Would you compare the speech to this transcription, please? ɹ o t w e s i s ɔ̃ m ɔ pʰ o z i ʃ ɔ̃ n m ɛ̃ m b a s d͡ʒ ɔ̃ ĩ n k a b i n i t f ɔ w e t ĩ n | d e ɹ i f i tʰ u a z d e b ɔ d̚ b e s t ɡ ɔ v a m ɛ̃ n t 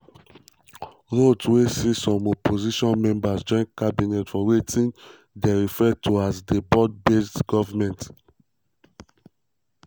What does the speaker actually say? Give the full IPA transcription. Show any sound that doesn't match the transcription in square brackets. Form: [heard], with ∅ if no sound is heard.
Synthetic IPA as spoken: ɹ o t w e s i s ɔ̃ m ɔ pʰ o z i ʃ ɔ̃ n m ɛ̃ m b a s d͡ʒ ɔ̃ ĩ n k a b i n [ɛ] t f ɔ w e t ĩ n | d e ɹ i f [ɛ] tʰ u a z d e b ɔ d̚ b e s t ɡ ɔ v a m ɛ̃ n t